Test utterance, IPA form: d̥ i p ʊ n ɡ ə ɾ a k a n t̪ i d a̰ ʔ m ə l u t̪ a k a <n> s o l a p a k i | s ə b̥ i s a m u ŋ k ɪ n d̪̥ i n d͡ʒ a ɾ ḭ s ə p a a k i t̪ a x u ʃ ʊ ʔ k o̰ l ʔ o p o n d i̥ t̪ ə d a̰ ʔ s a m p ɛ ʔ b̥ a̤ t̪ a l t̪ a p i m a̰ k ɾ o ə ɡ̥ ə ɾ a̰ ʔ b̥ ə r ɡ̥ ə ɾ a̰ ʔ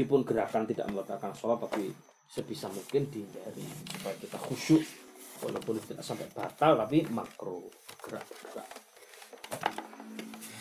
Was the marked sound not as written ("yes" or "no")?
no